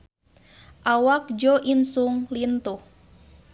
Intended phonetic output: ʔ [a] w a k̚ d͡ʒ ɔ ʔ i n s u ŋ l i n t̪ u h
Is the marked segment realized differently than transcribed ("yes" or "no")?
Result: no